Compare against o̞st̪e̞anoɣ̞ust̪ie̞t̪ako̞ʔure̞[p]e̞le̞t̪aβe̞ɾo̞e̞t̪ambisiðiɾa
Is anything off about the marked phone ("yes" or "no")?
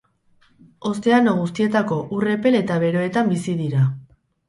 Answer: no